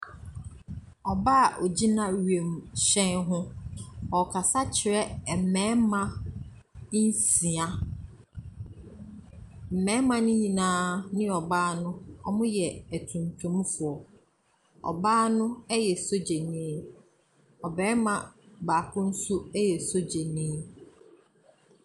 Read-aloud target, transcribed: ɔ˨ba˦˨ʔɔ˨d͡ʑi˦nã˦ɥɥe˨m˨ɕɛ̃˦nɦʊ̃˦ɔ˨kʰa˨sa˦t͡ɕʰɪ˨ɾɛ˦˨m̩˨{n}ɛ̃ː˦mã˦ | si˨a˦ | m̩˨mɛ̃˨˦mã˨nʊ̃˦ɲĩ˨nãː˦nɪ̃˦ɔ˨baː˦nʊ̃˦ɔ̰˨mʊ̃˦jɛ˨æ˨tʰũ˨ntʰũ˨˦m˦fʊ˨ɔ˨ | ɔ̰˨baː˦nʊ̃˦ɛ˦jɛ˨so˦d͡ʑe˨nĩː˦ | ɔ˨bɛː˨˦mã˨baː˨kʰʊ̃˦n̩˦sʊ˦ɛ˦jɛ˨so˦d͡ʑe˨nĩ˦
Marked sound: incorrect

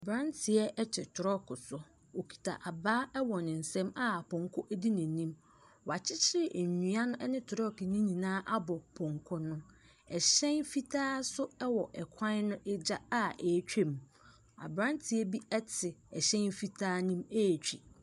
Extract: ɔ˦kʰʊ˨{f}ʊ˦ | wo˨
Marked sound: incorrect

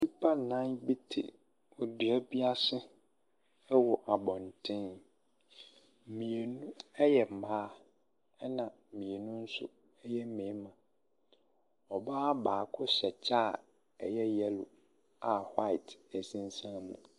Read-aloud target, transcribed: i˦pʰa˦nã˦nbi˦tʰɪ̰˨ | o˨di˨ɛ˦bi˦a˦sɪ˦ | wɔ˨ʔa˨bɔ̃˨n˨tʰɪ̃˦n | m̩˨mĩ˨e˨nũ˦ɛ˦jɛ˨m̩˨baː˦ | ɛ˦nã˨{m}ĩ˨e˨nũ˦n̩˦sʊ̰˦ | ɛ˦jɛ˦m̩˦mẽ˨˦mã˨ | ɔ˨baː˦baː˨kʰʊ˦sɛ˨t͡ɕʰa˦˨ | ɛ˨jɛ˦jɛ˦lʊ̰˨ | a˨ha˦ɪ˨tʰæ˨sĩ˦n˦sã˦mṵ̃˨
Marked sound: correct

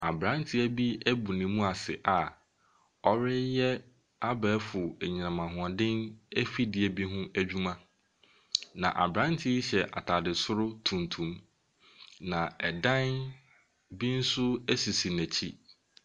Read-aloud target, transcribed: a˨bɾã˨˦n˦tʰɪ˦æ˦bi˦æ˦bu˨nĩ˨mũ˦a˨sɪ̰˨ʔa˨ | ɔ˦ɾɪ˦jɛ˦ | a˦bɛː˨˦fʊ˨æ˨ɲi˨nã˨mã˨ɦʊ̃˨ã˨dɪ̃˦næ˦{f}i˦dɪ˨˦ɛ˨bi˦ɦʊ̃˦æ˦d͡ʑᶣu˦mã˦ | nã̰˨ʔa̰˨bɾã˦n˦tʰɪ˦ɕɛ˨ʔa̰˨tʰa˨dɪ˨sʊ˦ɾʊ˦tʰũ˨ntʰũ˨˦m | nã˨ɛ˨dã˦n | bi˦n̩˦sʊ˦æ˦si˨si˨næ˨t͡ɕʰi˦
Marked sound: correct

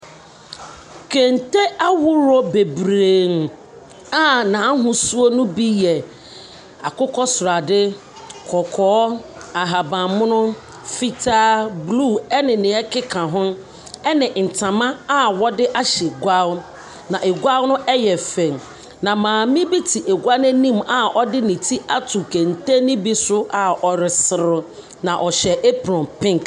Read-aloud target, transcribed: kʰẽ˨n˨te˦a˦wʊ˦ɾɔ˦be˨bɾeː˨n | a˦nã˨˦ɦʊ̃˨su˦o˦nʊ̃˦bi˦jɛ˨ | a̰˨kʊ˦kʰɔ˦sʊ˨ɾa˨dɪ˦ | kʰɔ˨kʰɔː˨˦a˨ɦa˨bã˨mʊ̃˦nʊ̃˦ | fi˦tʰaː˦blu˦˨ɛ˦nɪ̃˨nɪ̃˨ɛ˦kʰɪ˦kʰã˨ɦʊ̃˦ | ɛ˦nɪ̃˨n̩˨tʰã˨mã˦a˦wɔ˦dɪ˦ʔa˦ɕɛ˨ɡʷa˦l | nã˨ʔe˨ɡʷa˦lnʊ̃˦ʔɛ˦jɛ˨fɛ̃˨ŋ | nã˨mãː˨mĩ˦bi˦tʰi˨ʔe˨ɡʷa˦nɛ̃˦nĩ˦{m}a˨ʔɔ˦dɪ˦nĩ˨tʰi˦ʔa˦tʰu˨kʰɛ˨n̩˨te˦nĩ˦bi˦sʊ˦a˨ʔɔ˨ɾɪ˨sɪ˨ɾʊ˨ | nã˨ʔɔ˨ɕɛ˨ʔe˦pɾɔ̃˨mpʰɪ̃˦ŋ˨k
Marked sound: correct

